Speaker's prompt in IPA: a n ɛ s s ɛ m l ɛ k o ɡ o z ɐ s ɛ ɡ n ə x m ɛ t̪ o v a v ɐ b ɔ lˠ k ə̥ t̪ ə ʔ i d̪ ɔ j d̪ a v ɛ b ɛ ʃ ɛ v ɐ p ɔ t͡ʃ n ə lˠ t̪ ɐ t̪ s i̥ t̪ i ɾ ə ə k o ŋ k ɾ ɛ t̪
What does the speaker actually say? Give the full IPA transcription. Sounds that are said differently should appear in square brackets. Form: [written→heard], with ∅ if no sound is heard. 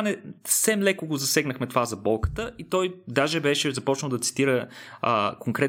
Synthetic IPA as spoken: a n ɛ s s ɛ m l ɛ k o ɡ o z ɐ s ɛ ɡ n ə x m ɛ t̪ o v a [v→z] ɐ b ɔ lˠ k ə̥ t̪ ə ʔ i [d̪→t̪] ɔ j d̪ a [v→ʒ] ɛ b ɛ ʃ ɛ [v→z] ɐ p ɔ t͡ʃ n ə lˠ [t̪→d̪] ɐ t̪ s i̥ t̪ i ɾ ə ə k o ŋ k ɾ ɛ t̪